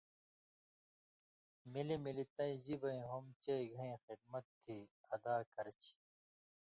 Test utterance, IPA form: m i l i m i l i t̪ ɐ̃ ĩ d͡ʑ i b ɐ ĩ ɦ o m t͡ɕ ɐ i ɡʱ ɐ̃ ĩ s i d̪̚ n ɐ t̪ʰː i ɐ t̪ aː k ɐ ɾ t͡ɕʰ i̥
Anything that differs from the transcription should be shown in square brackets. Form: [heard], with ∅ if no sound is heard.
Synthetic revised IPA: m i l i m i l i t̪ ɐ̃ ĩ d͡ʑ i b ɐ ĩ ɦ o m t͡ɕ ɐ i ɡʱ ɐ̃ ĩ [x] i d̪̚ [m] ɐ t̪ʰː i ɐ [d̪] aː k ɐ ɾ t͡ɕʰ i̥